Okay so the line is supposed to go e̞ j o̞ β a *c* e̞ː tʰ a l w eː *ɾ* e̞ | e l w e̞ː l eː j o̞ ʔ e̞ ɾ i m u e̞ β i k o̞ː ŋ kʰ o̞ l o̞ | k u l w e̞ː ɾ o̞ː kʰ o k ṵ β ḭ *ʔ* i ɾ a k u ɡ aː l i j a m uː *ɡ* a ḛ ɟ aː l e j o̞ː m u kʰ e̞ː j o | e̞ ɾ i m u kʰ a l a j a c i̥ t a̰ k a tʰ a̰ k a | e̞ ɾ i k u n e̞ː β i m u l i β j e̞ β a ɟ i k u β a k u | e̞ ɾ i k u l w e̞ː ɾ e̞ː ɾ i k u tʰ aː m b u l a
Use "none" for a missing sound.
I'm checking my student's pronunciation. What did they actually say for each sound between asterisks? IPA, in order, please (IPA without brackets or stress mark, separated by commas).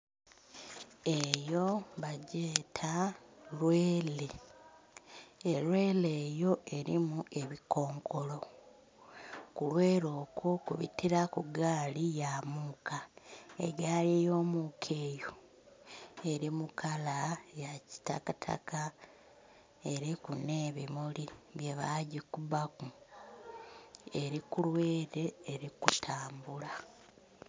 ɟ, l, t, k